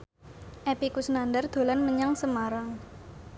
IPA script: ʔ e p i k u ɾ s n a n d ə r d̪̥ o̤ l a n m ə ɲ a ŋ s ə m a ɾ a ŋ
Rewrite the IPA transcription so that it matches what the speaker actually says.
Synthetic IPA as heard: ʔ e p i k u s n a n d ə r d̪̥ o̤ l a n m ə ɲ a ŋ s ə m a ɾ a ŋ

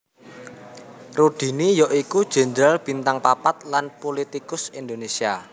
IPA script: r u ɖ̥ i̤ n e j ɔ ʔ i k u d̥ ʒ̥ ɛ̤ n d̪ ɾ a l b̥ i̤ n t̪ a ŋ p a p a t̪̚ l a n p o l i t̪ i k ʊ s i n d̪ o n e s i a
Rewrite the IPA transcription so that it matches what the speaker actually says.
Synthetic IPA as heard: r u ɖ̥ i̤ n i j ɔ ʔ i k u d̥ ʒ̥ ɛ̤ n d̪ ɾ a l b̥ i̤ n t̪ a ŋ p a p a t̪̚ l a n p o l i t̪ i k ʊ s i n d̪ o n e s i a

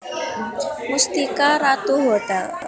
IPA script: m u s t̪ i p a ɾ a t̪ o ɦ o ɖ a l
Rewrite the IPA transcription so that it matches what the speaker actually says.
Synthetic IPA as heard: m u s t̪ i k a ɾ a t̪ u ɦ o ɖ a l

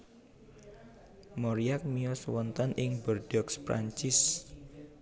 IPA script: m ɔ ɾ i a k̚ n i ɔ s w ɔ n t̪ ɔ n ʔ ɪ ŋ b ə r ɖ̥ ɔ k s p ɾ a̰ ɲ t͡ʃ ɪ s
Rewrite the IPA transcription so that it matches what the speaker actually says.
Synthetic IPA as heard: m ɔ ɾ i a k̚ m i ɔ s w ɔ n t̪ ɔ n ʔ ɪ ŋ b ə r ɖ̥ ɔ k s p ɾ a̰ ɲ t͡ʃ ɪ s

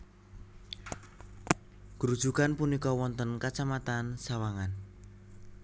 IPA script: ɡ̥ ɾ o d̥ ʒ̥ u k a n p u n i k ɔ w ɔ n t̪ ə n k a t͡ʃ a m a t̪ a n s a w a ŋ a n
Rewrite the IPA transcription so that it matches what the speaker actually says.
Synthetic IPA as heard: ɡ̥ ɾ u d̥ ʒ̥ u k a n p u n i k ɔ w ɔ n t̪ ə n k a t͡ʃ a m a t̪ a n s a w a ŋ a n

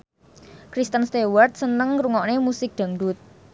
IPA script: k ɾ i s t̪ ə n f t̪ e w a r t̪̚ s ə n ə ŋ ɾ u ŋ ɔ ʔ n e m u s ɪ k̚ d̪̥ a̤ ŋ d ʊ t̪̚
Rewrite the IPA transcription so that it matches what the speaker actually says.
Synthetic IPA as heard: k ɾ i s t̪ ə n s t̪ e w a r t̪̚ s ə n ə ŋ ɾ u ŋ ɔ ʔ n e m u s ɪ k̚ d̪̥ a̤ ŋ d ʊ t̪̚

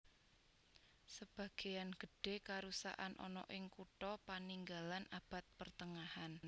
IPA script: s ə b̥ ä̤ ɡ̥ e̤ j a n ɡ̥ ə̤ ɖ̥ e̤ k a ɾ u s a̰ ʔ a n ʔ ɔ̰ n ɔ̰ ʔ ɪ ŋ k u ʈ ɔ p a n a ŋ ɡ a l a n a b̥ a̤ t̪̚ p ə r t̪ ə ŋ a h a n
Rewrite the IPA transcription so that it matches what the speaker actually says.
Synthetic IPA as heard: s ə b̥ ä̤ ɡ̥ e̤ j a n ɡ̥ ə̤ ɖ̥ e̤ k a ɾ u s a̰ ʔ a n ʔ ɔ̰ n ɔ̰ ʔ ɪ ŋ k u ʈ ɔ p a n i ŋ ɡ a l a n a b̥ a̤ t̪̚ p ə r t̪ ə ŋ a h a n

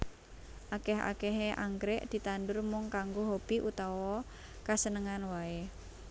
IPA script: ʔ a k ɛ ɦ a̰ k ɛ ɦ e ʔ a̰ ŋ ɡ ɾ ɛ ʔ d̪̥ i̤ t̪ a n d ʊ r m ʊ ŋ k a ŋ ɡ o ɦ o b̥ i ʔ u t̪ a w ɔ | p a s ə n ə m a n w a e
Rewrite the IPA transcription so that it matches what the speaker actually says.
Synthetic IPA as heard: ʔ a k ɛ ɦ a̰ k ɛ ɦ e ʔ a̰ ŋ ɡ ɾ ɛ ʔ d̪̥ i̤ t̪ a n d ʊ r m ʊ ŋ k a ŋ ɡ o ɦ o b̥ i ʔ u t̪ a w ɔ | k a s ə n ə ŋ a n w a e

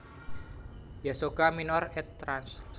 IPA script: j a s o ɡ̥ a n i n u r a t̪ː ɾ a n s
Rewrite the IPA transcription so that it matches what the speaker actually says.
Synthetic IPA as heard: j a s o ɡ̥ a m i n ɔ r ɛ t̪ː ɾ a n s

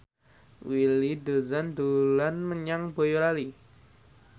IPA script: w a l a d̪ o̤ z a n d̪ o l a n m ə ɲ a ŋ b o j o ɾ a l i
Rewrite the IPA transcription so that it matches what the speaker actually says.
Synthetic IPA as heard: w i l i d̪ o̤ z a n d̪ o l a n m ə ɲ a ŋ b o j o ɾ a l i

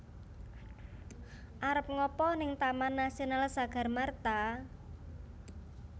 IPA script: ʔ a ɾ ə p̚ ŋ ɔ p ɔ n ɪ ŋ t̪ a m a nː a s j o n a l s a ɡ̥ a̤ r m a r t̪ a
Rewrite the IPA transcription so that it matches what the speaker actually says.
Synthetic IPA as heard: ʔ a ɾ ə p̚ ŋ ɔ p ɔ n ɪ ŋ t̪ a m a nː a s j o n a l s a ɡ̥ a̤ r m a r t̪ a

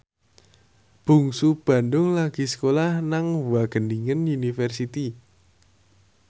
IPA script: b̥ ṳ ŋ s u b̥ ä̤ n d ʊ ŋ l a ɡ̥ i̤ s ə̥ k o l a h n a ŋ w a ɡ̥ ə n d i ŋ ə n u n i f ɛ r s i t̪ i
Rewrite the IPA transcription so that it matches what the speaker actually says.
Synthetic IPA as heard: b̥ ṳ ŋ s u b̥ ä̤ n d ʊ ŋ l a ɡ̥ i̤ s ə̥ k o l a h n a ŋ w a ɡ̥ ə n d i ŋ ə n u n i f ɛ r s i t̪ i

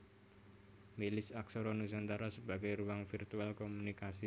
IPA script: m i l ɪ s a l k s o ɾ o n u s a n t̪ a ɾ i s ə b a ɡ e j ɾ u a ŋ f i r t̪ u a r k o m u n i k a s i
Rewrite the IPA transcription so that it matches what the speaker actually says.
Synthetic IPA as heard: m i l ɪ s a k s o ɾ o n u s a n t̪ a ɾ a s ə b a ɡ a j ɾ u a ŋ f i r t̪ u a l k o m u n i k a s i

